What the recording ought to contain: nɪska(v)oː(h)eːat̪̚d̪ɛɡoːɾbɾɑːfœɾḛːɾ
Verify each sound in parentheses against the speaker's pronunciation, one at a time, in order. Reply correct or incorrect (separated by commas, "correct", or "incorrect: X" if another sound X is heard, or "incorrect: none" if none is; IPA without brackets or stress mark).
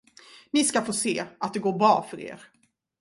incorrect: f, incorrect: s